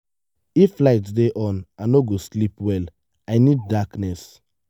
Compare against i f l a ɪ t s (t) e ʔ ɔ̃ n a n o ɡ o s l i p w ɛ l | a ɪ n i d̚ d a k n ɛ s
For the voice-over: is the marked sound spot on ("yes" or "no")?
no